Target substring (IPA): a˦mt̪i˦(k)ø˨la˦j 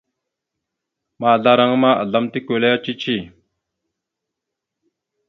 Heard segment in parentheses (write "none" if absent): k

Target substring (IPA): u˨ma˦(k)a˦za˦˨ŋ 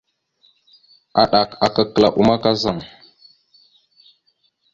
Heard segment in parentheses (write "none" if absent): k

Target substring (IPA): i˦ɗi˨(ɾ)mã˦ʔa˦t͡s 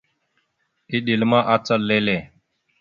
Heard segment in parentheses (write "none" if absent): l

